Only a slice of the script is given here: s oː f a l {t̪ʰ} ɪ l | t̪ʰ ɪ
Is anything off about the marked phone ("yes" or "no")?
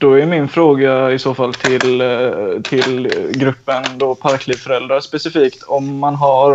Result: no